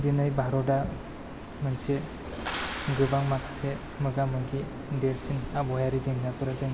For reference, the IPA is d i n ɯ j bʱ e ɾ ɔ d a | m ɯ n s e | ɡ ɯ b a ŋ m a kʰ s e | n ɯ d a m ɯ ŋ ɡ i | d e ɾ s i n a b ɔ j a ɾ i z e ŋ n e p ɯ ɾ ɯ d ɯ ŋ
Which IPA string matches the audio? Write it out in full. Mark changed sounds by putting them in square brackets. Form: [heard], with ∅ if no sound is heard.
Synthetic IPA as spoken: d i n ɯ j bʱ [a] ɾ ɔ d a | m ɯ n s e | ɡ ɯ b a ŋ m a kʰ s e | [m] ɯ [ɡ] a m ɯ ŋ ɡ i | d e ɾ s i n a b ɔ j a ɾ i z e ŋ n [a] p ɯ ɾ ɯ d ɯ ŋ